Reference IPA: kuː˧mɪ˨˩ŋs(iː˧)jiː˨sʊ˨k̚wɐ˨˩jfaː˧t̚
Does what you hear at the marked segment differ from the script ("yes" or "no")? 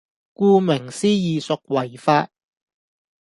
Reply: yes